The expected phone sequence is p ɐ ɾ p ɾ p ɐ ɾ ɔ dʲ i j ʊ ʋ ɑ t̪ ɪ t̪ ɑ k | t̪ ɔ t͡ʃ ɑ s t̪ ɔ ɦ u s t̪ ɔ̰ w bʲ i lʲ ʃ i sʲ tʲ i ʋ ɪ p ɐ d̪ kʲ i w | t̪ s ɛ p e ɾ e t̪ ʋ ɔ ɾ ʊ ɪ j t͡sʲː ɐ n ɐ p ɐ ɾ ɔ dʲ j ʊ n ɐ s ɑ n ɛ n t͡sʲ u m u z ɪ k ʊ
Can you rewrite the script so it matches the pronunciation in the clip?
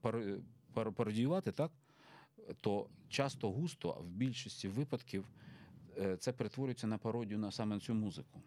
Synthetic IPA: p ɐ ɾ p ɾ p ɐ ɾ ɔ dʲ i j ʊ ʋ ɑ t̪ ɪ t̪ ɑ k | t̪ ɔ t͡ʃ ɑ s t̪ ɔ ɦ u s t̪ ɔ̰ w bʲ i lʲ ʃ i sʲ tʲ i ʋ ɪ p ɐ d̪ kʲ i w | t̪ s ɛ p e ɾ e t̪ ʋ ɔ ɾ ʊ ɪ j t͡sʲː ɐ n ɐ p ɐ ɾ ɔ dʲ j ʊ n ɐ s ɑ m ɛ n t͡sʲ u m u z ɪ k ʊ